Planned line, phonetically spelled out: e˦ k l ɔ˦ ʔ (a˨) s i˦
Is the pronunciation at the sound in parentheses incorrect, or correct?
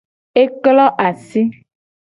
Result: correct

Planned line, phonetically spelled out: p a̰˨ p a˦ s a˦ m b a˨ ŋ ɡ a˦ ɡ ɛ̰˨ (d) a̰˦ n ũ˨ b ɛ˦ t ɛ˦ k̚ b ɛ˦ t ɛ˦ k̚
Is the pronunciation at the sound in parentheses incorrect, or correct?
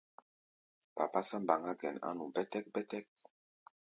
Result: incorrect: n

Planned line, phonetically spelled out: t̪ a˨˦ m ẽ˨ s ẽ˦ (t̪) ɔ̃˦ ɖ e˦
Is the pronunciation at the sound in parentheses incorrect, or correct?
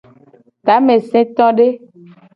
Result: correct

